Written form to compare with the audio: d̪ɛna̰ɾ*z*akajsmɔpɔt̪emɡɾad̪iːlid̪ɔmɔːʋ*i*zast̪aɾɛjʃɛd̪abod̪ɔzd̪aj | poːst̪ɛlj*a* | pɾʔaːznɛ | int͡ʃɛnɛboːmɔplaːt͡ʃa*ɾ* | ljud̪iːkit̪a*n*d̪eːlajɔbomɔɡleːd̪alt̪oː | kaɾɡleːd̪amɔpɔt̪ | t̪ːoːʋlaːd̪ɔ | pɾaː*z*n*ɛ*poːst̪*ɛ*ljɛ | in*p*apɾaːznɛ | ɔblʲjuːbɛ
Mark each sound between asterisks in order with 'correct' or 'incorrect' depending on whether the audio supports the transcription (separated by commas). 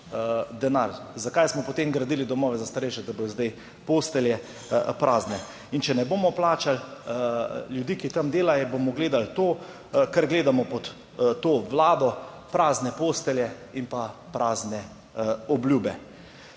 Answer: correct, incorrect, incorrect, incorrect, incorrect, correct, correct, correct, correct